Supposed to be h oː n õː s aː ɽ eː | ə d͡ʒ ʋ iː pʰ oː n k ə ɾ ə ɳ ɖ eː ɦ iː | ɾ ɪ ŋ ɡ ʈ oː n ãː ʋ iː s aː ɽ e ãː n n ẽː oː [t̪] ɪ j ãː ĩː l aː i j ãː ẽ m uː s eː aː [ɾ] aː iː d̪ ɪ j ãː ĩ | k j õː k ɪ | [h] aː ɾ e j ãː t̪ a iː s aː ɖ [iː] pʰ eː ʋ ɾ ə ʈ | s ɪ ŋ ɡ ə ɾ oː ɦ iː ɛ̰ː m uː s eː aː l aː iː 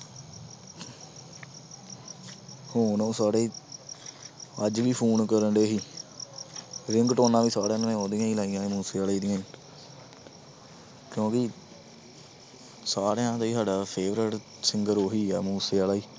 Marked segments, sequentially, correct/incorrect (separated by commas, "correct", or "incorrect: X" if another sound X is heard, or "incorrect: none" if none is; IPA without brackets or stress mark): incorrect: d̪, incorrect: l, incorrect: s, incorrect: aː